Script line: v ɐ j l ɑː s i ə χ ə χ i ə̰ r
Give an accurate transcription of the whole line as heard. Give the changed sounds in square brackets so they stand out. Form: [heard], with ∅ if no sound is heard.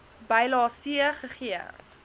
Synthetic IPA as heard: [b] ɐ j l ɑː s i ə χ ə χ i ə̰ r